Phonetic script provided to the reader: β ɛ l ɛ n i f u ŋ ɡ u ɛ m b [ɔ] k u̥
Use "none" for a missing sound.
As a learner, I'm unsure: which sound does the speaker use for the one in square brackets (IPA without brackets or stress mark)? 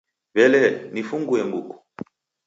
u